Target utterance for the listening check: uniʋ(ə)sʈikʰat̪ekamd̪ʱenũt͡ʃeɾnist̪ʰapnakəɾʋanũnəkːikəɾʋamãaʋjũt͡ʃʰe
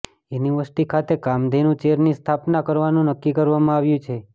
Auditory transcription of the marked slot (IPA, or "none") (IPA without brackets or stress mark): ə